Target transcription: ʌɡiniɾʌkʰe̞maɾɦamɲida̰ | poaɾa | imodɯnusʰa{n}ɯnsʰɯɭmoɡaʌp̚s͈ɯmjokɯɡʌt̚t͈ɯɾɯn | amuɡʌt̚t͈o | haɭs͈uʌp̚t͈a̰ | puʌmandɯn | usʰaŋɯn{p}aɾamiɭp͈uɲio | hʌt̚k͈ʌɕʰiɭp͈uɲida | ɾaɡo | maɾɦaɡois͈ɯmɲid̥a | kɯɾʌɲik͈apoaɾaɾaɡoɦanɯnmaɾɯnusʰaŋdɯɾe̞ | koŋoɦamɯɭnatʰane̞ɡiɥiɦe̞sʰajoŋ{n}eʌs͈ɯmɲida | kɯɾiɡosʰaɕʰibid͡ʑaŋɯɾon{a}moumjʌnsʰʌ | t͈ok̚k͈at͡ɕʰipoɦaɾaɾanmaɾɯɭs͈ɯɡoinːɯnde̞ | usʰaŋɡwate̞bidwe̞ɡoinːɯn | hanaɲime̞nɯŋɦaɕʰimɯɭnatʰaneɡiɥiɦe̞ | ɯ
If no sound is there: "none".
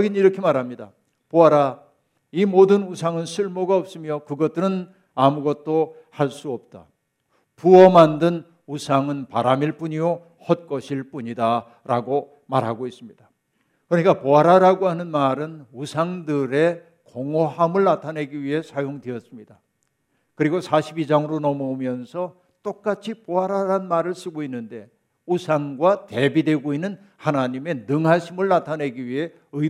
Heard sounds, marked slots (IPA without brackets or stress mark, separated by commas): ŋ, p, d, ʌ